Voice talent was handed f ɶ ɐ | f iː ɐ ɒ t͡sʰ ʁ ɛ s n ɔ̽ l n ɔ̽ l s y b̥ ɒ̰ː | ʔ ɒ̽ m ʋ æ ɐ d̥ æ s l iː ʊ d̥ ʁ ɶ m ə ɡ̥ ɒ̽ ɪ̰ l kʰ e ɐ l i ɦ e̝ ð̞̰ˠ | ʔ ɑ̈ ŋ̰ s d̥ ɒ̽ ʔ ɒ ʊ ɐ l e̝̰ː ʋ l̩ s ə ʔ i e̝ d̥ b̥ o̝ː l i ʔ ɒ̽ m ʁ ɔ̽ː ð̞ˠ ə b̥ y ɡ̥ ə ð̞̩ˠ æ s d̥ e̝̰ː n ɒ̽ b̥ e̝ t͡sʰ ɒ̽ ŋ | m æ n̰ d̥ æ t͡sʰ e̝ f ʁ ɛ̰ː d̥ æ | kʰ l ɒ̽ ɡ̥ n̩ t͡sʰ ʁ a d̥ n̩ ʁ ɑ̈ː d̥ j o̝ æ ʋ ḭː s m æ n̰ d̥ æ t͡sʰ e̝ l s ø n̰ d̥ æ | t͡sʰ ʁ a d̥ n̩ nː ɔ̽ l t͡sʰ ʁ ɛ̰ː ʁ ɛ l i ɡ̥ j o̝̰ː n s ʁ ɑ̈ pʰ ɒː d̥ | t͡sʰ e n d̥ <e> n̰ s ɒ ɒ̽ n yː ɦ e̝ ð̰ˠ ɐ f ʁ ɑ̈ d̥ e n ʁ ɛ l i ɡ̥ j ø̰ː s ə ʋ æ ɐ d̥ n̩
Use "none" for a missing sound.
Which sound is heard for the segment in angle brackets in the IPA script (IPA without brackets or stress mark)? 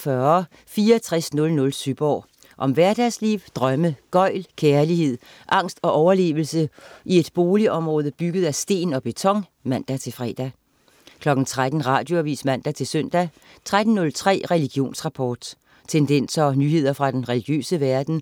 e